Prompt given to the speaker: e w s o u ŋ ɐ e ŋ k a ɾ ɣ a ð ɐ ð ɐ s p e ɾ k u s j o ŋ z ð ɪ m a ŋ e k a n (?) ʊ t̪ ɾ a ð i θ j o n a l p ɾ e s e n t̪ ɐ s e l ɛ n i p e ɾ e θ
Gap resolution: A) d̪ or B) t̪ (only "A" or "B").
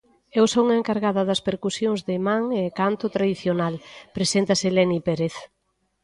B